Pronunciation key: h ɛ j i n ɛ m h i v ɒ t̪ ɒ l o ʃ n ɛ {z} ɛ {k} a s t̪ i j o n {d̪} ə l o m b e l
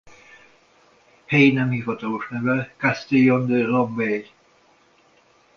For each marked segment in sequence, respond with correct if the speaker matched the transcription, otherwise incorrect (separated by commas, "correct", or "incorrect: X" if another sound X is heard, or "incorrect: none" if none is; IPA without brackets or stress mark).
incorrect: v, correct, correct